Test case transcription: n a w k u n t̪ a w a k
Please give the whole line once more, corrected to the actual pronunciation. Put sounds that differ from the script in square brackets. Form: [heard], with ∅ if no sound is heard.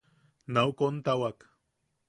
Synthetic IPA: n a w k [o] n t̪ a w a k

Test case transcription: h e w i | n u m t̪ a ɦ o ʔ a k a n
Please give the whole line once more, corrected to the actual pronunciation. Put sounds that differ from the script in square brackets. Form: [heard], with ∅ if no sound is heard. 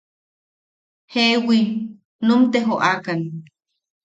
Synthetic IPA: h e w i | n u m t̪ [e] ɦ o ʔ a k a n

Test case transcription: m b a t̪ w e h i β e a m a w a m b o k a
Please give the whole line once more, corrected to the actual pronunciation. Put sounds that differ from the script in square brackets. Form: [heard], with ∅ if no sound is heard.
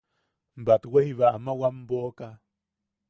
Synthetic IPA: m b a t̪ w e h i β [a] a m a w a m b o k a

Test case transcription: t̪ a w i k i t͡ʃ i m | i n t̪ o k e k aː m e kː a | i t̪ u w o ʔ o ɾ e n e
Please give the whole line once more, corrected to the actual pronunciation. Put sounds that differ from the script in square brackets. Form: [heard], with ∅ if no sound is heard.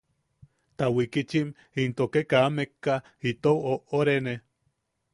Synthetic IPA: t̪ a w i k i t͡ʃ i m | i n t̪ o k e k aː m e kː a | i t̪ [o] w o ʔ o ɾ e n e

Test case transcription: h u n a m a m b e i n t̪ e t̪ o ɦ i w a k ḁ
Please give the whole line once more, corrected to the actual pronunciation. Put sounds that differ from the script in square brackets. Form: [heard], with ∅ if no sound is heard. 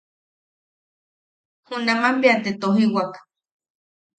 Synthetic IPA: h u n a m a m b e [a] n t̪ e t̪ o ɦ i w a k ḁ

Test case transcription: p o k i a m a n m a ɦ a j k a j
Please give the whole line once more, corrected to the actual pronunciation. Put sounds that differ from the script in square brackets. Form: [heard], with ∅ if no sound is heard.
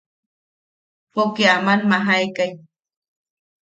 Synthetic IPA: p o k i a m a n m a ɦ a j k a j

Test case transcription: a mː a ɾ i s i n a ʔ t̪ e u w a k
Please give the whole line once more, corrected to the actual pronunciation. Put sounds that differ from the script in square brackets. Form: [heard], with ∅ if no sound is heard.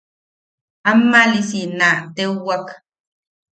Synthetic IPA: a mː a [l] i s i n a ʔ t̪ e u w a k

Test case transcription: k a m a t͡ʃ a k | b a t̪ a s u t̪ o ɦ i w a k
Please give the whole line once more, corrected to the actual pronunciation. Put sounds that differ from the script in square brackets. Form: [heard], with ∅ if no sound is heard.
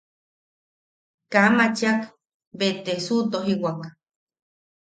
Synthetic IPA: k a m a t͡ʃ a k | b [e] t̪ [e] s u t̪ o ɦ i w a k

